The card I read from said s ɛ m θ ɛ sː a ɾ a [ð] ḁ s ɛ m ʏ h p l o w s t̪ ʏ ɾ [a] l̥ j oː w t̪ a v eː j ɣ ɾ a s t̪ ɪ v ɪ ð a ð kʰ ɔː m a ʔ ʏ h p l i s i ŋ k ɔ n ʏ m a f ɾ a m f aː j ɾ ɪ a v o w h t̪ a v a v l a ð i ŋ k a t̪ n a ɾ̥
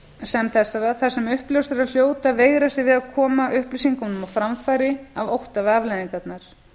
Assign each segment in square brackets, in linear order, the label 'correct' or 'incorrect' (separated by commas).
incorrect, correct